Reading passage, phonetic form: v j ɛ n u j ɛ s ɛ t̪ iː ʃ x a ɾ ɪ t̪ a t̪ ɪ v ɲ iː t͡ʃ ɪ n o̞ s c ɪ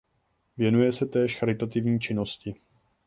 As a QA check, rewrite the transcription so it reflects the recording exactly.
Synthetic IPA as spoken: v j ɛ n u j ɛ s ɛ t̪ ɛː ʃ x a ɾ ɪ t̪ a t̪ ɪ v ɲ iː t͡ʃ ɪ n o̞ s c ɪ